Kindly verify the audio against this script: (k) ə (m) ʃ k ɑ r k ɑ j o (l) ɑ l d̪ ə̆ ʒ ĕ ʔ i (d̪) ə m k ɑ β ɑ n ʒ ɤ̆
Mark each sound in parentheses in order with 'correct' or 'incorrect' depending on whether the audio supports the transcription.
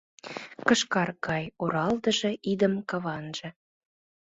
correct, incorrect: none, incorrect: ɾ, correct

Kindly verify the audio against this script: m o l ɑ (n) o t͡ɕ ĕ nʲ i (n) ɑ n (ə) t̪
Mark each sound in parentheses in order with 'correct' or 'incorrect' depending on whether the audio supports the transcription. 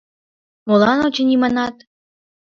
correct, incorrect: m, incorrect: ɑ

